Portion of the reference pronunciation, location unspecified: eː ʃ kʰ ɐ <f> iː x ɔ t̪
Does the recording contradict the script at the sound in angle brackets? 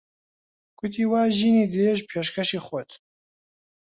yes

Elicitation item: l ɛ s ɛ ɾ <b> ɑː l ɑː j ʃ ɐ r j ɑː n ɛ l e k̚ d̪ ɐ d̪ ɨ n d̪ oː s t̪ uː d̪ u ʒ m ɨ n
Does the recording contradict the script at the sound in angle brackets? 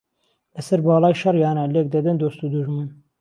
no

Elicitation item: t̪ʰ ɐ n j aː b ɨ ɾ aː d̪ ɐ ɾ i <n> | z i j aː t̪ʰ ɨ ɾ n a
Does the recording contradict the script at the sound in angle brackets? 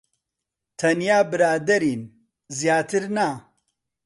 no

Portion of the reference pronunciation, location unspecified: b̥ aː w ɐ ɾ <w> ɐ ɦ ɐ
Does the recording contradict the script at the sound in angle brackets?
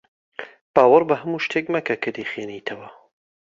yes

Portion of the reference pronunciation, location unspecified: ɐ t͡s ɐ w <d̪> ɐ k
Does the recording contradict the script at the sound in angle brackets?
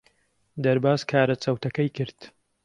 yes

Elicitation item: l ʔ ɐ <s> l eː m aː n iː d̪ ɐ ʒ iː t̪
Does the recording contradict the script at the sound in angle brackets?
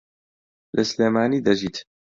no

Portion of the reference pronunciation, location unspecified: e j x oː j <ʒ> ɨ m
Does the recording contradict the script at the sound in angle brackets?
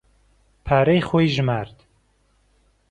no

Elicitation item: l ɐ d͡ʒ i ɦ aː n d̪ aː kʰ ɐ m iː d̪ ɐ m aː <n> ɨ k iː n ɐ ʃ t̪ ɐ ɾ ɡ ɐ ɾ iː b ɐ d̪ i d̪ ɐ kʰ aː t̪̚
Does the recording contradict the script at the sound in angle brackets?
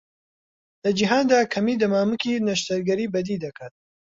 yes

